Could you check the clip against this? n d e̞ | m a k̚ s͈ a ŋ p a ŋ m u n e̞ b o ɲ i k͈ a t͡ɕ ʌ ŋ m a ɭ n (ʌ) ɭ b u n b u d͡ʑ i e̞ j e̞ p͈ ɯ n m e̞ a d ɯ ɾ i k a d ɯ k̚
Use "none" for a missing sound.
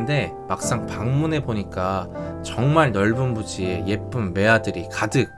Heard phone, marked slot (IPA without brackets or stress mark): ʌ